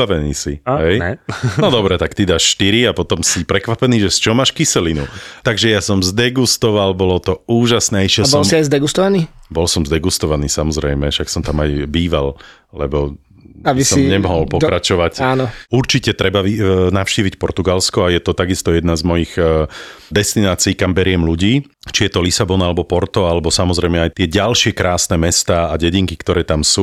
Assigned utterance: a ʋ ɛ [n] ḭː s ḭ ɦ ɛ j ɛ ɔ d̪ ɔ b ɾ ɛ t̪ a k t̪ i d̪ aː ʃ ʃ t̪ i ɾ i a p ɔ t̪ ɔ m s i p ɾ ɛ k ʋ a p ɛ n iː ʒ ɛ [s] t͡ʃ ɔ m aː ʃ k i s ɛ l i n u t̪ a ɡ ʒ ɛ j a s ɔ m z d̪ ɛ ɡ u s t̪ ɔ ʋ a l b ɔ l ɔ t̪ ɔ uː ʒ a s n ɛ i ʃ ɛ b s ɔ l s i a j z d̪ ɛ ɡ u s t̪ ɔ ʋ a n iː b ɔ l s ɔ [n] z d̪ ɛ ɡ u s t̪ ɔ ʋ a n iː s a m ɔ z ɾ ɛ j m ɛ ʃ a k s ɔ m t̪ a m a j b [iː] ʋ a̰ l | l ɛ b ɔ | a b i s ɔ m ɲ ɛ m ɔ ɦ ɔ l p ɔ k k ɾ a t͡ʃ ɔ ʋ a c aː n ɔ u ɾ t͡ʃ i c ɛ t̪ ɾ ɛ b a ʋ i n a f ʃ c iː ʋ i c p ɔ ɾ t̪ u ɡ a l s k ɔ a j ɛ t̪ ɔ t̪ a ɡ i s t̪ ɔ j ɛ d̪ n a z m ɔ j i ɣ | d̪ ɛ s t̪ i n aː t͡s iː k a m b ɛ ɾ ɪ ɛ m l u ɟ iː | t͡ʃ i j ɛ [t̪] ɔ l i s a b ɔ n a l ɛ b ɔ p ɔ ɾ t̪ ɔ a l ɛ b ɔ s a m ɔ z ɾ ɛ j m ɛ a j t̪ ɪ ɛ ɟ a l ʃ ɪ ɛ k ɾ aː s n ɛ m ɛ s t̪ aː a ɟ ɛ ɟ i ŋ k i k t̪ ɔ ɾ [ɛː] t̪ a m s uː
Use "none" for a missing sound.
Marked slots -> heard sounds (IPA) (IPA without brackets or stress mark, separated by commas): n, s, m, iː, t̪, ɛː